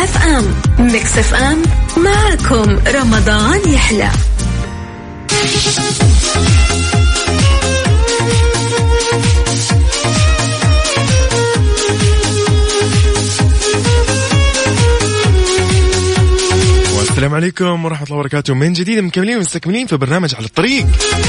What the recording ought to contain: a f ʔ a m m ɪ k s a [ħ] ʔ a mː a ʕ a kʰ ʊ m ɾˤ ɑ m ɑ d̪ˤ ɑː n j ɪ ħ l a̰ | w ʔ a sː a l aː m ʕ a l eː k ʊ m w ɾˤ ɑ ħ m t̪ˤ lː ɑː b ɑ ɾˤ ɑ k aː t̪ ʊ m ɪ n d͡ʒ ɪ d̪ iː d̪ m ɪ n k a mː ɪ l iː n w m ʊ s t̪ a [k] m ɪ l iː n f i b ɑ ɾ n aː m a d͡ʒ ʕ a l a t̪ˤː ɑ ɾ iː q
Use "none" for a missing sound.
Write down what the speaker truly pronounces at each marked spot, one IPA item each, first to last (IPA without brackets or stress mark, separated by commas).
f, k